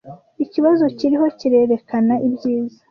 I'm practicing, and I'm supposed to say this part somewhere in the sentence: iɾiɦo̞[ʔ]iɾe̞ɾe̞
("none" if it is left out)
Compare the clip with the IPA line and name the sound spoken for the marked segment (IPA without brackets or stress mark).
c